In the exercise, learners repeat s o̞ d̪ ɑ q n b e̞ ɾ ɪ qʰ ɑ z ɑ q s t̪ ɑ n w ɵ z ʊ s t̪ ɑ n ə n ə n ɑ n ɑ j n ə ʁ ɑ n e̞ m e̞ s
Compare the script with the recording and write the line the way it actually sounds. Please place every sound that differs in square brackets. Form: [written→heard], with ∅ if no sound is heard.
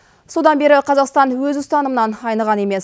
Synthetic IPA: s o̞ d̪ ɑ [q→∅] n b e̞ ɾ ɪ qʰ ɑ z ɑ q s t̪ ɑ n w ɵ z ʊ s t̪ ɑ n ə [n→m] ə n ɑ n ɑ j n ə ʁ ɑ n e̞ m e̞ s